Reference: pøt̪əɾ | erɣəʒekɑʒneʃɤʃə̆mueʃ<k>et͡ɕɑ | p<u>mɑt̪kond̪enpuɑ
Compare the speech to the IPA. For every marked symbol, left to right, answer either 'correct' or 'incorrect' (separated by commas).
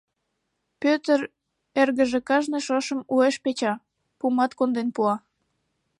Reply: incorrect, correct